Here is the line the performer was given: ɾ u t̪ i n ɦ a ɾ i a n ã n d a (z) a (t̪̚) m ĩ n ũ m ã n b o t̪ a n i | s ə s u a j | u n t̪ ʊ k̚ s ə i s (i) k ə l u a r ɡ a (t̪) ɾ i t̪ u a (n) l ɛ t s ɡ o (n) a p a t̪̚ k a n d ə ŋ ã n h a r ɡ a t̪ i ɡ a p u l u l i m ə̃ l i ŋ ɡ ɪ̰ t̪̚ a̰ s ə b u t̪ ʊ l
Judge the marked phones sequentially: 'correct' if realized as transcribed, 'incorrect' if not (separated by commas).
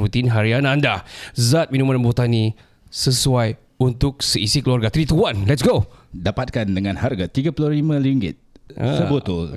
correct, correct, correct, correct, correct, incorrect